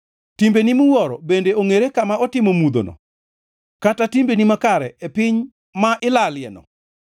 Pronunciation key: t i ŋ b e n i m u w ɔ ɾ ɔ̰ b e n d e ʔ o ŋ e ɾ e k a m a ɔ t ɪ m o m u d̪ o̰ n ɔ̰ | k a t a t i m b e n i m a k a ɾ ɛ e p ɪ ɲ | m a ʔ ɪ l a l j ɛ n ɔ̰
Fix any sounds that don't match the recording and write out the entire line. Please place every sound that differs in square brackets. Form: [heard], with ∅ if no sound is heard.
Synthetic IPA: t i [m] b e n i m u w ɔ ɾ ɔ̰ b e n d e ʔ o ŋ e ɾ e k a m a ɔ t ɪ m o m u d̪ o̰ n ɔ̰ | k a t a t i m b e n i m a k a ɾ ɛ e p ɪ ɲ | m a ʔ ɪ l a l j ɛ n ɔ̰